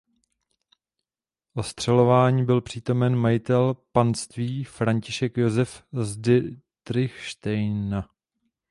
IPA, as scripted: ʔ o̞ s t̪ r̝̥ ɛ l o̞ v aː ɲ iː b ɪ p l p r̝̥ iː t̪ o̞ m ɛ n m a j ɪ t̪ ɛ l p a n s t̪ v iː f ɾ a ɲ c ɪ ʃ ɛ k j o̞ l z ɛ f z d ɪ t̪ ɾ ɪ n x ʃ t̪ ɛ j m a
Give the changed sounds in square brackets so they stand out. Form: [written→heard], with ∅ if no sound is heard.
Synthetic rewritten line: ʔ o̞ s t̪ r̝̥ ɛ l o̞ v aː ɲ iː b ɪ [p→∅] l p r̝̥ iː t̪ o̞ m ɛ n m a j ɪ t̪ ɛ l p a n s t̪ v iː f ɾ a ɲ c ɪ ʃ ɛ k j o̞ [l→∅] z ɛ f z d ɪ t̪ ɾ ɪ [n→∅] x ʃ t̪ ɛ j [m→n] a